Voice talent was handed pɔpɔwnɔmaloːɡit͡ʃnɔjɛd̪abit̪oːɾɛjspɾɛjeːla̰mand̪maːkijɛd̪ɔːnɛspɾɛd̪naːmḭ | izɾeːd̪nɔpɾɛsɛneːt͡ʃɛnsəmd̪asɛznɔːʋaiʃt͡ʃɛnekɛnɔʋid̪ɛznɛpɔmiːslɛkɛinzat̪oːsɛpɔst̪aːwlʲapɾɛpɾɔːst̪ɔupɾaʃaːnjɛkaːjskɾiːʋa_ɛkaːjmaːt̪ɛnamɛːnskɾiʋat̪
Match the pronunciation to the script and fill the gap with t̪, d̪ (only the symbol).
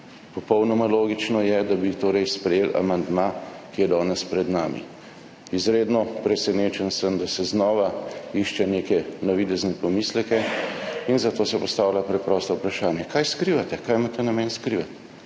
t̪